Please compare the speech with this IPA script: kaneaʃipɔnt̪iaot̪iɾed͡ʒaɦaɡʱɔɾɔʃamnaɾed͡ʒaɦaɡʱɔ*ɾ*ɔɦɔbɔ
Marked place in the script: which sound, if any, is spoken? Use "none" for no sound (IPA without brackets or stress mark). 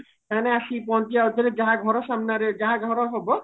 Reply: ɾ